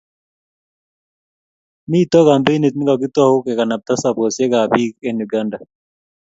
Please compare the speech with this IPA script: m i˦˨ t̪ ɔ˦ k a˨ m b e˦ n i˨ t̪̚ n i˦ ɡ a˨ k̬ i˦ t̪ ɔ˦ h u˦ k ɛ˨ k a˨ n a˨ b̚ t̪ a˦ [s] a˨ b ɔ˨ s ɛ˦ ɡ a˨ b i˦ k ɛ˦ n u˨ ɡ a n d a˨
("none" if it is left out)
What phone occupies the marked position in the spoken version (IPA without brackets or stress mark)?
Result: s